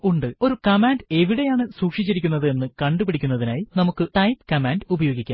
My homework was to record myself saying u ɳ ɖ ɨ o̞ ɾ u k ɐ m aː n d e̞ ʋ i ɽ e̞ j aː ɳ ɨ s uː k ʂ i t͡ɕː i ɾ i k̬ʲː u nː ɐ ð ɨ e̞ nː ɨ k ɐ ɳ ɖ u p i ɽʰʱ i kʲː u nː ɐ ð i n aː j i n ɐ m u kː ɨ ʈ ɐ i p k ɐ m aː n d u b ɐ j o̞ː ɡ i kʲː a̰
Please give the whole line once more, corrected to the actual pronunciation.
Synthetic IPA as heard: u ɳ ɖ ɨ o̞ ɾ u k ɐ m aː n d e̞ ʋ i ɽ e̞ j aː ɳ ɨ s uː k ʂ i t͡ɕː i ɾ i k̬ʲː u nː ɐ ð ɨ e̞ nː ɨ k ɐ ɳ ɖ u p i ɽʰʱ i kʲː u nː ɐ ð i n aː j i n ɐ m u kː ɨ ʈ ɐ j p k ɐ m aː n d u b ɐ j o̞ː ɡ i kʲː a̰